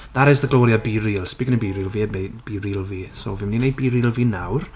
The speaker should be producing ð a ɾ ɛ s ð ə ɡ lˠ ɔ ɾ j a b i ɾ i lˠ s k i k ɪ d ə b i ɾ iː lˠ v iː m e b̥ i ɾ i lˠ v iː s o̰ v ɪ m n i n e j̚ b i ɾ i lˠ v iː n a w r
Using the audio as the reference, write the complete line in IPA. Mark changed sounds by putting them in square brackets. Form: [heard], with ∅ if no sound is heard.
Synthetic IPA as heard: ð a ɾ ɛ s ð ə ɡ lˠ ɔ ɾ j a b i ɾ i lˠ s [p] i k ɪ [n] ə b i ɾ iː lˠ v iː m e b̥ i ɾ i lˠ v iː s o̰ v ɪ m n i n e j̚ b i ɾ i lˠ v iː n a w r